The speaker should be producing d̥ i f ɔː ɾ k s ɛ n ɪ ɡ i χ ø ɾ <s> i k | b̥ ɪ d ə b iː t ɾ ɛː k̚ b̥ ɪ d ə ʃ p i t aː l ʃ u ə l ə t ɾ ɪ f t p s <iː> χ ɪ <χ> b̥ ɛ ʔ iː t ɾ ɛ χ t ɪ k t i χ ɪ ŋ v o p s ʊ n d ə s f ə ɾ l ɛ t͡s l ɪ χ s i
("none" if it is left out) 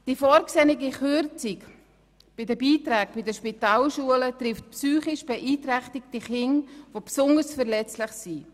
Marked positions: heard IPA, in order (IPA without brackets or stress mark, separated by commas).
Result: t͡s, yː, ʃ